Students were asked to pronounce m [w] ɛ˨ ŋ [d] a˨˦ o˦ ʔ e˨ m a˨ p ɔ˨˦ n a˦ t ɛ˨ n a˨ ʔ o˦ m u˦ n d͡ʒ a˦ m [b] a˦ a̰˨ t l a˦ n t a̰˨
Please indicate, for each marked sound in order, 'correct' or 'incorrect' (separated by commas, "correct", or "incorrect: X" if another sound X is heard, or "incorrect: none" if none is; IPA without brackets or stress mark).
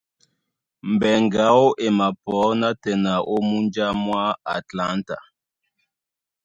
incorrect: b, incorrect: ɡ, incorrect: w